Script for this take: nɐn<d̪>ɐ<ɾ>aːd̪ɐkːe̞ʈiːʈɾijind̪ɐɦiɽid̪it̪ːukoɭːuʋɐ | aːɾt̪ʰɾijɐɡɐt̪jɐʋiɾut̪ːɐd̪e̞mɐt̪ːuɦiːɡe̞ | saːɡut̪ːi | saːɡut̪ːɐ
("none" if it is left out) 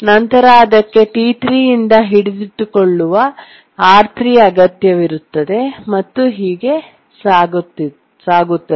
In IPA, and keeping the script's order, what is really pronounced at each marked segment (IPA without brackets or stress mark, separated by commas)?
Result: t̪, ɾ